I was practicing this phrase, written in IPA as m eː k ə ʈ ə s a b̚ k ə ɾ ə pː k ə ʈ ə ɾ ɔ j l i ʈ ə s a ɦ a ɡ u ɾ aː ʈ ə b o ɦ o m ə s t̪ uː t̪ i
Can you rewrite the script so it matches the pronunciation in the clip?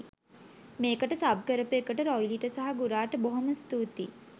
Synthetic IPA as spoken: m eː k ə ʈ ə s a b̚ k ə ɾ ə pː k ə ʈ ə ɾ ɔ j l i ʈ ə s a ɦ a ɡ u ɾ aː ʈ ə b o ɦ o m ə s t̪ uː t̪ i